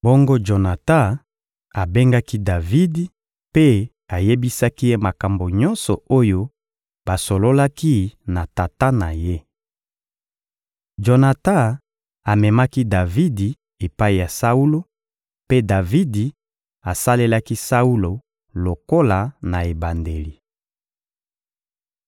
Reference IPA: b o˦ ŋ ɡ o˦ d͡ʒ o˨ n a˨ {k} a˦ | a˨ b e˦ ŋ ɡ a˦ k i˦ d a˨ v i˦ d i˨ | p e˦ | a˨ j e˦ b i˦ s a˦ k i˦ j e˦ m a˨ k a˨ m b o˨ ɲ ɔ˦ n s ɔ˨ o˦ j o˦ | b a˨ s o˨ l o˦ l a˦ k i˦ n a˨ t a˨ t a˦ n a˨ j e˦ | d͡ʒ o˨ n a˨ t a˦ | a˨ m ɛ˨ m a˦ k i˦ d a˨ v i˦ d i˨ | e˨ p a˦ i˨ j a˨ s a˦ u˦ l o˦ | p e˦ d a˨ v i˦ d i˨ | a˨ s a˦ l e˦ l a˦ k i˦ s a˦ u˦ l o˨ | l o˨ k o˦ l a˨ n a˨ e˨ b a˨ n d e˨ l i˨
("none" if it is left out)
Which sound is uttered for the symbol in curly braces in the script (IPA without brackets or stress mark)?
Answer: t